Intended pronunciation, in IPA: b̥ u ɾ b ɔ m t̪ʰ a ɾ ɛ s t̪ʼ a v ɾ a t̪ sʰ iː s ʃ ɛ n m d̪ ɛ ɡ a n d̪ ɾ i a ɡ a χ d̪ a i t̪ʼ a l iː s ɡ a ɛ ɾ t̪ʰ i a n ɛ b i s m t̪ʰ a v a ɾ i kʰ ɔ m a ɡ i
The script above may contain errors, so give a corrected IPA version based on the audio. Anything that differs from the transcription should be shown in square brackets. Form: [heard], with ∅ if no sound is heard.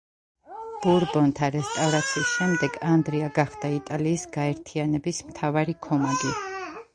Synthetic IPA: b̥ u ɾ b ɔ [n] t̪ʰ a ɾ ɛ s t̪ʼ a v ɾ a t̪ sʰ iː s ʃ ɛ [∅] m d̪ ɛ ɡ a n d̪ ɾ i a ɡ a χ d̪ a i t̪ʼ a l iː s ɡ a ɛ ɾ t̪ʰ i a n ɛ b i s m t̪ʰ a v a ɾ i kʰ ɔ m a ɡ i